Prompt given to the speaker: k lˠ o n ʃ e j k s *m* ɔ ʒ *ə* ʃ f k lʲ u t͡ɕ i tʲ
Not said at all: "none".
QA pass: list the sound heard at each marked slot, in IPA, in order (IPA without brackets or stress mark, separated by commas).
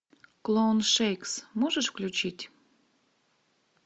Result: m, ə